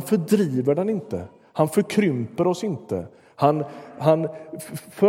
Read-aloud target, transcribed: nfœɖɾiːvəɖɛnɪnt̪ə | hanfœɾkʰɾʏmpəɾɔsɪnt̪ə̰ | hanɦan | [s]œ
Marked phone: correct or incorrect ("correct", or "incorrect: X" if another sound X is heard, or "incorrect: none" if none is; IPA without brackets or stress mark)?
incorrect: f